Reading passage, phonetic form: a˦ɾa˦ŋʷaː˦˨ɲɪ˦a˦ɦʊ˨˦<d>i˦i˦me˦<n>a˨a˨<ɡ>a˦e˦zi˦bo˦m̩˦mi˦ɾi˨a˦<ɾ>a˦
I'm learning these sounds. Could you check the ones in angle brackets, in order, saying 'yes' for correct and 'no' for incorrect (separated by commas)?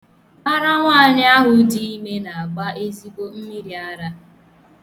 yes, yes, no, yes